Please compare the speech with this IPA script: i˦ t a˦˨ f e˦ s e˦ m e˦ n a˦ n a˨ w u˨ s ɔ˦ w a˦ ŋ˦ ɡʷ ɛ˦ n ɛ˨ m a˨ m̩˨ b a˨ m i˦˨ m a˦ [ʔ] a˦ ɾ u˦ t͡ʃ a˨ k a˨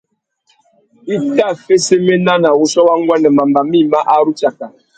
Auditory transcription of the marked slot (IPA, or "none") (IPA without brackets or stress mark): ʔ